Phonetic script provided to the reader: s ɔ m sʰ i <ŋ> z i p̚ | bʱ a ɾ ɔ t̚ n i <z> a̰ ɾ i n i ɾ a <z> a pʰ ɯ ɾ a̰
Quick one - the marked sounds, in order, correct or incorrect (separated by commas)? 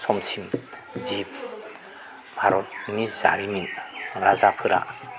incorrect, correct, correct